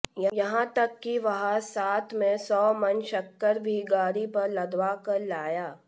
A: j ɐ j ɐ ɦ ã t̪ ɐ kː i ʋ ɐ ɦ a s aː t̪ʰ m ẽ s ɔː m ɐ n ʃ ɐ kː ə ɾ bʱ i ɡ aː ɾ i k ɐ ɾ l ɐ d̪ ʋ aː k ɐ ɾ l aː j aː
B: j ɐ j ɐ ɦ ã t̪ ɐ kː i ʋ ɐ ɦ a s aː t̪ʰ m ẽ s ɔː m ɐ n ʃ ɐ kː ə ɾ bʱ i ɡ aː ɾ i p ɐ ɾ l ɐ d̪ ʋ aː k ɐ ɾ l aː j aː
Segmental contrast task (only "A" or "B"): B